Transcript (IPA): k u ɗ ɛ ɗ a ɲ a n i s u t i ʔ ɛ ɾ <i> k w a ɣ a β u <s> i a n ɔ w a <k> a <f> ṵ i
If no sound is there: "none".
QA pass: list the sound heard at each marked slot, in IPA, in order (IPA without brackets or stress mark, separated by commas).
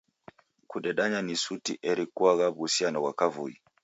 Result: i, s, k, v